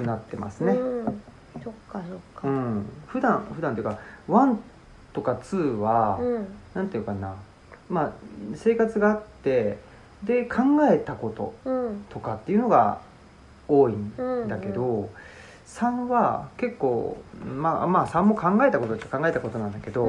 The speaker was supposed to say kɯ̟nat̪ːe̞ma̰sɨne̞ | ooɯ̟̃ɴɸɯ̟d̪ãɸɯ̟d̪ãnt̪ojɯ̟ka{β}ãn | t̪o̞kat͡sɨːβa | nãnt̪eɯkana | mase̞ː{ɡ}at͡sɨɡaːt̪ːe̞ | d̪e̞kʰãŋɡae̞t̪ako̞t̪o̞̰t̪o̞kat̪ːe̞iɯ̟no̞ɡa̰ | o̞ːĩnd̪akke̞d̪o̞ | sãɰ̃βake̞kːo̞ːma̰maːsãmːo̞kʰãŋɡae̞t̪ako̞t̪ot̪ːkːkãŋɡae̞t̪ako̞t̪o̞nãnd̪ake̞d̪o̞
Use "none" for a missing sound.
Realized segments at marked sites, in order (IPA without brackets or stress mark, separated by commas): β, k